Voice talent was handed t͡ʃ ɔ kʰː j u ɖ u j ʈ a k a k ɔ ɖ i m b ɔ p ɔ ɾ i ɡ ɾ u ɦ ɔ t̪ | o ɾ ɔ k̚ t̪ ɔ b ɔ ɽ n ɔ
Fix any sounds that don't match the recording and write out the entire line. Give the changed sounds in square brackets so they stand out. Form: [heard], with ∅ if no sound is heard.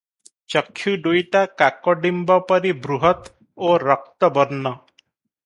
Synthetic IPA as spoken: t͡ʃ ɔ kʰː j u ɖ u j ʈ a k a k ɔ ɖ i m b ɔ p ɔ ɾ i [b] ɾ u ɦ ɔ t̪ | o ɾ ɔ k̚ t̪ ɔ b ɔ [ɾ] n ɔ